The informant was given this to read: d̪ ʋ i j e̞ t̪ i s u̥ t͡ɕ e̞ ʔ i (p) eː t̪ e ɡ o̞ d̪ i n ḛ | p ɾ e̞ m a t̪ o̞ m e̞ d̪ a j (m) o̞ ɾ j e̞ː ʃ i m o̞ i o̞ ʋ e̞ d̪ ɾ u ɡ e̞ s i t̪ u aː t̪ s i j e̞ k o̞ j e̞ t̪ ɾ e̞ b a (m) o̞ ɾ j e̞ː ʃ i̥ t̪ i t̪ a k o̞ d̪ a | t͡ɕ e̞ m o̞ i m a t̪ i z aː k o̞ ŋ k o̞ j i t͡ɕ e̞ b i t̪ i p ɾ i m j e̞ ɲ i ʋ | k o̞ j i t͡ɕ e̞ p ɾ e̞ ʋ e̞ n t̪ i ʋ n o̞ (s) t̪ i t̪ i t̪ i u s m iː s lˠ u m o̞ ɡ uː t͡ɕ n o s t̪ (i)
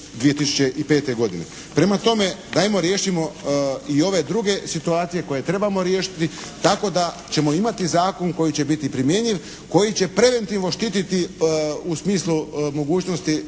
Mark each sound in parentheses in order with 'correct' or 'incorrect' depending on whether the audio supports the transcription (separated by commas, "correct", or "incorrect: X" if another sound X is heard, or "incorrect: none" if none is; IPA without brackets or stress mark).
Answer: correct, correct, correct, incorrect: ʃ, correct